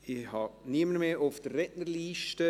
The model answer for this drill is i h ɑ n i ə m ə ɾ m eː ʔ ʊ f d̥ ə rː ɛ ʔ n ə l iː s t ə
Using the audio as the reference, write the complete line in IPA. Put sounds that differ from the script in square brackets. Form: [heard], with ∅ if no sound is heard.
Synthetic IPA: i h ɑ n i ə m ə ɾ m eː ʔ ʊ f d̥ ə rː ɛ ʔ n ə l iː [ʃ] t ə